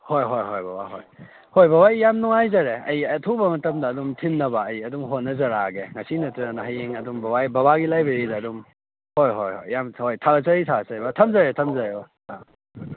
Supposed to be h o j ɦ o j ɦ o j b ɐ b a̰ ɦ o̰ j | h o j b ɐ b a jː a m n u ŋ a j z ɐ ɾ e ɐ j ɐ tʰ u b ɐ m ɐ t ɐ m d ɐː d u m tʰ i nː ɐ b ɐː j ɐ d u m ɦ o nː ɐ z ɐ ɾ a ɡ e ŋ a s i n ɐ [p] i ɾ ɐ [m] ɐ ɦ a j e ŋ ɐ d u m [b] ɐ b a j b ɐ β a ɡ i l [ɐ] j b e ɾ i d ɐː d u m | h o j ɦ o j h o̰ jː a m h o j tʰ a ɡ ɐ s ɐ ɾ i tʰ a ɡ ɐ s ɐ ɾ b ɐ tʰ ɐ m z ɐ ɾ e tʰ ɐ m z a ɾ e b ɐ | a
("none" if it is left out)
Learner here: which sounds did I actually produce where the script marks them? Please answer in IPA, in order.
t, n, b, a

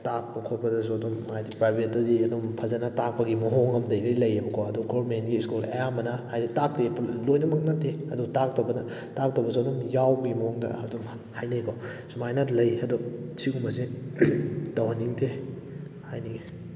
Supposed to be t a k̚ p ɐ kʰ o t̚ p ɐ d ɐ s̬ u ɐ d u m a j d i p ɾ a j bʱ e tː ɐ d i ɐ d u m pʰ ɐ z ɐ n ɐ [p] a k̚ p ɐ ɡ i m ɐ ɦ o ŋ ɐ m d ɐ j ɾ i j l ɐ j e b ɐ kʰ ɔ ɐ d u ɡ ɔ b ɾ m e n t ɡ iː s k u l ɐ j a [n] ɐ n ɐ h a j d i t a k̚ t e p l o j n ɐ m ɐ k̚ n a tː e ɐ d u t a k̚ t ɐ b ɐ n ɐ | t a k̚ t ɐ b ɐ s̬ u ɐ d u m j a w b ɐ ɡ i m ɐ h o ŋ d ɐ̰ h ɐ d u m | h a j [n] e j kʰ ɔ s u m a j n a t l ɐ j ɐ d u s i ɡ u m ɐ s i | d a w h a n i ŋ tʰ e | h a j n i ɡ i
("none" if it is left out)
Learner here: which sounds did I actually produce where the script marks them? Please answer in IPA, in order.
t, m, n

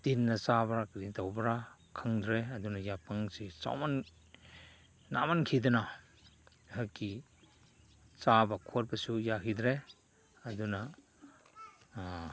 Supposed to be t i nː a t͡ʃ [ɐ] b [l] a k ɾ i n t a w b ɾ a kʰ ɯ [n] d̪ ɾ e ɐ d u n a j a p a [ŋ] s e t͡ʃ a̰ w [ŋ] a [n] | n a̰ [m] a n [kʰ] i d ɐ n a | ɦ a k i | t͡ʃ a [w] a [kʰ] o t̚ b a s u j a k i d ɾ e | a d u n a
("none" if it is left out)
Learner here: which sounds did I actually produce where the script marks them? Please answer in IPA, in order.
a, ɾ, ŋ, ŋ, m, n, m, kʰ, b, kʰ

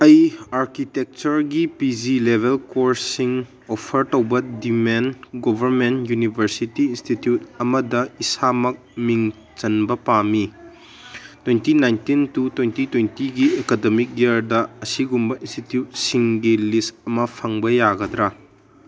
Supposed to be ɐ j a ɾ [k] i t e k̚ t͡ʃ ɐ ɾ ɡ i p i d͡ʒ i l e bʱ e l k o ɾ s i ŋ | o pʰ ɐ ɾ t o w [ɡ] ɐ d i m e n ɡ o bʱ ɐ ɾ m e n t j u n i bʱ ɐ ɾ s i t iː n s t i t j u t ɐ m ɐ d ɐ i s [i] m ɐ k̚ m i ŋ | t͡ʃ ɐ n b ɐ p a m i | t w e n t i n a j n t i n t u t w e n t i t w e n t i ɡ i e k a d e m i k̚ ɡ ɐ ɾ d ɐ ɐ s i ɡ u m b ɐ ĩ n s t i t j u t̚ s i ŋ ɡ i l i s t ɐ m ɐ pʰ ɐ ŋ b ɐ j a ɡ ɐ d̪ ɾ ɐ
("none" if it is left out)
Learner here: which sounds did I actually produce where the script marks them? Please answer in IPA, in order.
k, b, a

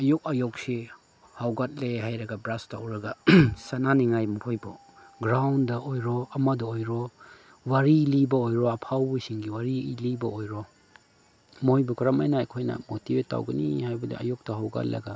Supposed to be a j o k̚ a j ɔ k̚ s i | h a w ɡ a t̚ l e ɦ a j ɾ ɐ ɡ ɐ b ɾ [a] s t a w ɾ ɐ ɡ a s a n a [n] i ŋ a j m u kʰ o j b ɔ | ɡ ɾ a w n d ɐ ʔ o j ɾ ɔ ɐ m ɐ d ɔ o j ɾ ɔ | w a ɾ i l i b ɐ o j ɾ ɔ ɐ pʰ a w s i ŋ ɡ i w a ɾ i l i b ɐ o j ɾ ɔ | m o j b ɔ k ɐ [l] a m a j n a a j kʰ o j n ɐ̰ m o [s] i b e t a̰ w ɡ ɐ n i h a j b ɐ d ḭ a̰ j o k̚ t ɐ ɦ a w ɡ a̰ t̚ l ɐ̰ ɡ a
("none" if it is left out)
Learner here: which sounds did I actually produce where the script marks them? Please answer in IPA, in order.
a, n, ɾ, t

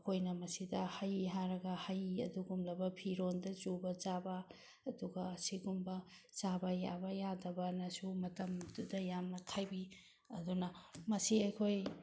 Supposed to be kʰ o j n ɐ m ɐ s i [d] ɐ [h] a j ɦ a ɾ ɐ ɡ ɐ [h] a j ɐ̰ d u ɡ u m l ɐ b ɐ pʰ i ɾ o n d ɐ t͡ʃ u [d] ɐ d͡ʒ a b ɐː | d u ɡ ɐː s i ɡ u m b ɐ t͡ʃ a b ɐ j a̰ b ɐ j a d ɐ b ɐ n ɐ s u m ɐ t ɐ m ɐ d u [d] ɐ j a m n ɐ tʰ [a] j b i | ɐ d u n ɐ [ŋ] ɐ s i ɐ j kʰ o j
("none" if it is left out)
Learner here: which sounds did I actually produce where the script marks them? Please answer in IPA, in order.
d, h, h, b, d, a, m

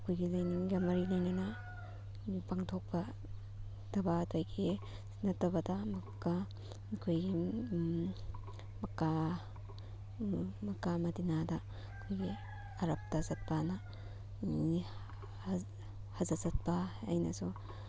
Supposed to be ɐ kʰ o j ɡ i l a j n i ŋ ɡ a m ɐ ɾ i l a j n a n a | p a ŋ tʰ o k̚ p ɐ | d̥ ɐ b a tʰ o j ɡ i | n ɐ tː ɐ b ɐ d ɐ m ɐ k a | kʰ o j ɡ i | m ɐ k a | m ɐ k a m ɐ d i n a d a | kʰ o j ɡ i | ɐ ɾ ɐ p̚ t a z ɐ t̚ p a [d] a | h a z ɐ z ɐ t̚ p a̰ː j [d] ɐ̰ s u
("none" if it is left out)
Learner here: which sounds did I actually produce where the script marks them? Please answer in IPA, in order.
n, n

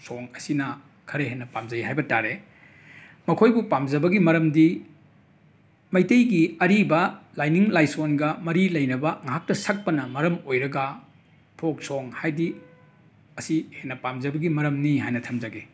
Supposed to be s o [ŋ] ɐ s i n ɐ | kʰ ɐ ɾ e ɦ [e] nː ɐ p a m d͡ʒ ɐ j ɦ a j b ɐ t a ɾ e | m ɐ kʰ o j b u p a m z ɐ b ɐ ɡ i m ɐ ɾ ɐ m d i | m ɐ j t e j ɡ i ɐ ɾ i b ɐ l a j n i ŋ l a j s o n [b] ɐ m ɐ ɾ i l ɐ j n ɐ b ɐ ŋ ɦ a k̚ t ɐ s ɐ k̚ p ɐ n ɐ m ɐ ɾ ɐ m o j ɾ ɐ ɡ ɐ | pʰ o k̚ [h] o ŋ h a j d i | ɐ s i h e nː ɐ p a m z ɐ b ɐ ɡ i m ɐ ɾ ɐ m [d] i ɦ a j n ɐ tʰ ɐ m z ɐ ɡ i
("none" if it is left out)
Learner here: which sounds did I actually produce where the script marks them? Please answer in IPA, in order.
ŋ, e, ɡ, s, n

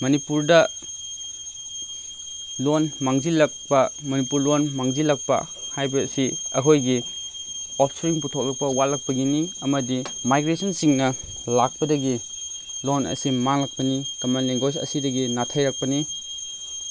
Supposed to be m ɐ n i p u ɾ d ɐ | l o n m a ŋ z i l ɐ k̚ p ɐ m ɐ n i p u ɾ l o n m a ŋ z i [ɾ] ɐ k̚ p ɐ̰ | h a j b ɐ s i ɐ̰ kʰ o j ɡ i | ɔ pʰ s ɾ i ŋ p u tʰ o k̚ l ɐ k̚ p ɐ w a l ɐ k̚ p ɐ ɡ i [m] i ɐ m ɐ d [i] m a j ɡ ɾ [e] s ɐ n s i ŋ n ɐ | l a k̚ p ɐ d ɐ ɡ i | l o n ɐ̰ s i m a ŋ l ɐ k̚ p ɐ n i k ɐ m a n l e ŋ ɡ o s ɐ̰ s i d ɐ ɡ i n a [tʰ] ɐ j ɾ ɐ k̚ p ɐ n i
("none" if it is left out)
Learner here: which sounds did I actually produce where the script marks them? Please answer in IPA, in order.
l, n, i, e, tʰ

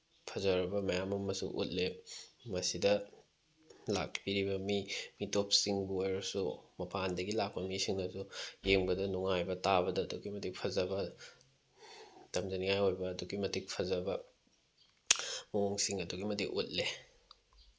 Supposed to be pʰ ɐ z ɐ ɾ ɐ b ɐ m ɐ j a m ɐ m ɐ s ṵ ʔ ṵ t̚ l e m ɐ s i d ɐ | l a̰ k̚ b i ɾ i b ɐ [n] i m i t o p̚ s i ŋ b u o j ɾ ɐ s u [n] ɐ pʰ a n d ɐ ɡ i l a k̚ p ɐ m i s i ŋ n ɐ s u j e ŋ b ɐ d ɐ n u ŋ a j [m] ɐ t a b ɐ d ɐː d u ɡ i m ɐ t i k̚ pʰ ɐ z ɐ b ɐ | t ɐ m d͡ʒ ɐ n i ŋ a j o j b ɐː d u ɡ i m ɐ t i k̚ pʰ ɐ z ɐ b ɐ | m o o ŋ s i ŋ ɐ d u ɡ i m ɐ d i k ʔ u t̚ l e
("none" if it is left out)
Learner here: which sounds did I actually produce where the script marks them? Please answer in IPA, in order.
m, m, b

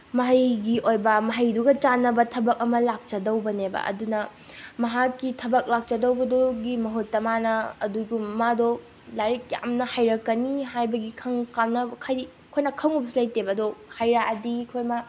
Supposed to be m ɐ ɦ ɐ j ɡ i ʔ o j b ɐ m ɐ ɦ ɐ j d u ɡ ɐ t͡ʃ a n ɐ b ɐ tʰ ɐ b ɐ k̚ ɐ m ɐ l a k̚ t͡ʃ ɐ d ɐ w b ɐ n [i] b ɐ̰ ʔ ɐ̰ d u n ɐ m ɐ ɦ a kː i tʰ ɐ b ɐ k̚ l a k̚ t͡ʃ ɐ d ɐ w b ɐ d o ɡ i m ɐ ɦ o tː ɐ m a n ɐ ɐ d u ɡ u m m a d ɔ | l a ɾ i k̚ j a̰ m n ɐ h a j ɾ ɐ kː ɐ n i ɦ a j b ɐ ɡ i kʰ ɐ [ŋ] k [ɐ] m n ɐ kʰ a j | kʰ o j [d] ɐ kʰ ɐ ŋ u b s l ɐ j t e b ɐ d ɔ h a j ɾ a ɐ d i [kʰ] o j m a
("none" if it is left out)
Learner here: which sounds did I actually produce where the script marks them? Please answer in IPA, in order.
e, ŋ, a, n, kʰ

